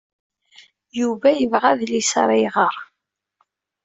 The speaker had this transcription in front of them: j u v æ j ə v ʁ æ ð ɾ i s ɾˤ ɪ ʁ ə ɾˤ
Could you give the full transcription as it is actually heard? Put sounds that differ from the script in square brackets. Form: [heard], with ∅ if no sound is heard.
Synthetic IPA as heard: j u v æ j ə v ʁ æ ð [l] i s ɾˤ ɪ ʁ ə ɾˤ